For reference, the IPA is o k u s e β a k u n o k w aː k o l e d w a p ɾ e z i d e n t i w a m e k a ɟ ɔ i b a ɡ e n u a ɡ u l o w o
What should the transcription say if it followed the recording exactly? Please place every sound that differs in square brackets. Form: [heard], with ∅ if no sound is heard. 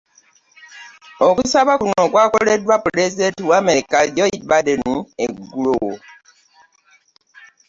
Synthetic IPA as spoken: o k u s [a] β a k u n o k w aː k o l e d w a p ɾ e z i d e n t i w a m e k a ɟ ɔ i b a [d] e n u [e] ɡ u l o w o